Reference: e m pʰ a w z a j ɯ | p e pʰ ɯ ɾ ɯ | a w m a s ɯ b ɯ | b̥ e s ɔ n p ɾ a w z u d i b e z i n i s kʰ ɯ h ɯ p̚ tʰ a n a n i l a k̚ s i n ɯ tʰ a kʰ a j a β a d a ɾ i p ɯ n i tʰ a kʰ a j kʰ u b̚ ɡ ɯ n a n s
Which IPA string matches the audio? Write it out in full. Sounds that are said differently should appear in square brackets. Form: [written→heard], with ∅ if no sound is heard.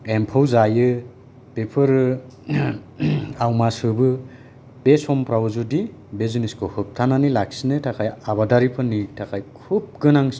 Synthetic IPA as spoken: e m pʰ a w z a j ɯ | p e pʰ ɯ ɾ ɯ | a w m a s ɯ b ɯ | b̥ e s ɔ [n→m] p ɾ a w z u d i b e z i n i s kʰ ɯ h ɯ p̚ tʰ a n a n i l a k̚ s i n ɯ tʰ a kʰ a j a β a d a ɾ i [p→pʰ] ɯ n i tʰ a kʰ a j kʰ u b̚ ɡ ɯ n a [n→ŋ] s